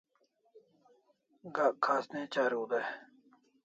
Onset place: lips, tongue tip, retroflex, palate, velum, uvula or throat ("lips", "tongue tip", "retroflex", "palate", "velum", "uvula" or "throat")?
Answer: velum